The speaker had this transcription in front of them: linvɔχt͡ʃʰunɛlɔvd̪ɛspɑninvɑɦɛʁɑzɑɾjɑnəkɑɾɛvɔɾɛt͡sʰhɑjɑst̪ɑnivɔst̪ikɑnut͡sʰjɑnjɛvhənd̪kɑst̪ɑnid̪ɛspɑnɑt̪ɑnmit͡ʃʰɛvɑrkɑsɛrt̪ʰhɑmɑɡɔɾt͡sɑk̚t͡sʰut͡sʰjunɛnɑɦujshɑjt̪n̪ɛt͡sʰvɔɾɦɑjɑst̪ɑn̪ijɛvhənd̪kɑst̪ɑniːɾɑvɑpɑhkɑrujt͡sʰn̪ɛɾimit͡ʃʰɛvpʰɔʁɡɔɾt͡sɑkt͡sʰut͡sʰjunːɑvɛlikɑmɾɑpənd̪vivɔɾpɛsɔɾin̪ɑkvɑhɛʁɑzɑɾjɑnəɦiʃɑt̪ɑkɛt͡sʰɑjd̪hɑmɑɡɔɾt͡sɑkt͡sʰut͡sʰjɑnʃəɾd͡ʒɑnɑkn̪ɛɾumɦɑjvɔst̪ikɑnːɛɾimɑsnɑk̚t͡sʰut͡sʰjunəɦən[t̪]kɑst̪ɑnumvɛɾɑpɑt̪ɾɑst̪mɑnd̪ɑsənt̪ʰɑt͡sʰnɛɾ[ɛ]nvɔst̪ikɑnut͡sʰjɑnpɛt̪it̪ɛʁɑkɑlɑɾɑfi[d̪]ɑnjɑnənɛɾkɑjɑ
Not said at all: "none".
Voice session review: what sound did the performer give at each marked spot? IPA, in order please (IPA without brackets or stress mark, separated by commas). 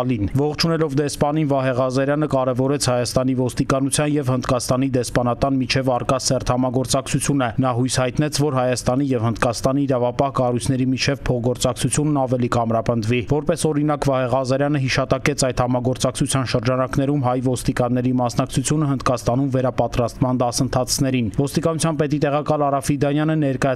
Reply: d̪, i, d̪